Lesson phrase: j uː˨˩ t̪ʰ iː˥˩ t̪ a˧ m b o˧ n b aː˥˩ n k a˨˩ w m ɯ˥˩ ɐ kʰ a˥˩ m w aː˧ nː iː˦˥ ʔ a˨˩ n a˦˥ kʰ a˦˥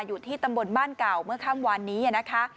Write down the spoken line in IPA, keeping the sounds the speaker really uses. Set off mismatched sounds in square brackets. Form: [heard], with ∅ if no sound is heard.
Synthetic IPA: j uː˨˩ t̪ʰ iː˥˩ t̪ a˧ m b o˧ n b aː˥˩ n k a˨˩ w m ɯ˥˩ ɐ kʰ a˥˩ m w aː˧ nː iː˦˥ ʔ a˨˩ n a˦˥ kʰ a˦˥